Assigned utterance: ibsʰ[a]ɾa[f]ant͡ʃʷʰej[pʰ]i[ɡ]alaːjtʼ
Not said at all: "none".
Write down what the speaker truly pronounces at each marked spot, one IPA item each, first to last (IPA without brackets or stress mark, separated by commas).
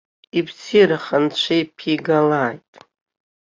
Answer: i, χ, pʰ, ɡ